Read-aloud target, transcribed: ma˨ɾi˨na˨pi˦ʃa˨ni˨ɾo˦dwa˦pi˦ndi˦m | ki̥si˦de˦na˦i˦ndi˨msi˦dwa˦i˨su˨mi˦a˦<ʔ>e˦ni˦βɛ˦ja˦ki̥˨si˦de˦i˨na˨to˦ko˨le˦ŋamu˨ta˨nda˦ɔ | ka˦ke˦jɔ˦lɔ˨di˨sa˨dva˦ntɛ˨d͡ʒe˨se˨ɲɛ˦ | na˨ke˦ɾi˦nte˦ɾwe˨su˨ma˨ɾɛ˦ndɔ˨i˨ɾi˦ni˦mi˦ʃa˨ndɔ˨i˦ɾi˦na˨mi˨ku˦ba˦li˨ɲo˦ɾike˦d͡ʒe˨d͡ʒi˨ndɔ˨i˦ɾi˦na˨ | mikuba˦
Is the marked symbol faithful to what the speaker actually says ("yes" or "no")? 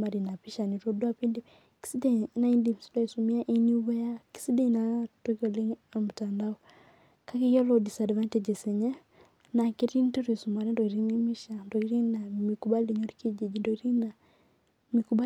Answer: yes